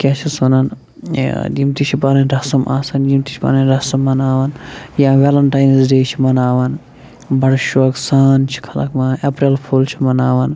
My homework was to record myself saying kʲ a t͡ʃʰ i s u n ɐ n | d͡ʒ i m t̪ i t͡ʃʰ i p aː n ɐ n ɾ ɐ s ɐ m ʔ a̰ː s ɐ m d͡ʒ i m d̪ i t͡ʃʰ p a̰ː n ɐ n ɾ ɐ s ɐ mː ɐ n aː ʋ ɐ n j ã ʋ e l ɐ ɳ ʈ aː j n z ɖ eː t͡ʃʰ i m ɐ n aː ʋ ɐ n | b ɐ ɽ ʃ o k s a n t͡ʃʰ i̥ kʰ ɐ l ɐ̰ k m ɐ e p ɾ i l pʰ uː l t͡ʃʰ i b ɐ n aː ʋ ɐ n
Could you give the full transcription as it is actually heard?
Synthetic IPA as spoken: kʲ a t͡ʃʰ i s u n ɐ n | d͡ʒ i m t̪ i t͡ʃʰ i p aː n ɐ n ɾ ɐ s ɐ m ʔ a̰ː s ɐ n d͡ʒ i m t̪ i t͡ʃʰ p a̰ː n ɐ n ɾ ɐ s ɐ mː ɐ n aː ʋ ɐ n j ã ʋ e l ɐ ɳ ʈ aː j n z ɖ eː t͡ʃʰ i m ɐ n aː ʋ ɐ n | b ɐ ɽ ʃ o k s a n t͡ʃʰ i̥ kʰ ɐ l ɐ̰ k m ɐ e p ɾ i l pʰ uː l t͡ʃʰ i m ɐ n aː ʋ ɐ n